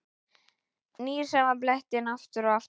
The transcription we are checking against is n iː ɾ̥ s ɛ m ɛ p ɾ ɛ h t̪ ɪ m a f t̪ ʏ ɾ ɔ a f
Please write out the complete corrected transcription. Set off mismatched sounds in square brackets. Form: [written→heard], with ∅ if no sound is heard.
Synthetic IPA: n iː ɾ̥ s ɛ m [ɛ→a] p [ɾ→l] ɛ h t̪ ɪ [m→n] a f t̪ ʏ ɾ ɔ a f